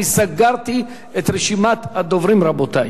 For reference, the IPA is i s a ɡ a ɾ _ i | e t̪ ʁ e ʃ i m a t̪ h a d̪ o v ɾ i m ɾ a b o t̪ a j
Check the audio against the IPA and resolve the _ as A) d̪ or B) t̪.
B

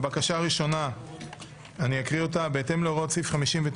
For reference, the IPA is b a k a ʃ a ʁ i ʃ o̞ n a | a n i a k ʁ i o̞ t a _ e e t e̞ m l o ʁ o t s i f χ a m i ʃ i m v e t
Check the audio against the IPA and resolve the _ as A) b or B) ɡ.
A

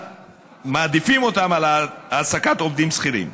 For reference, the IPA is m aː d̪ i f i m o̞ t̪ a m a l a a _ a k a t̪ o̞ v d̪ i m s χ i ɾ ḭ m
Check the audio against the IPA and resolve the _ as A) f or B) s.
B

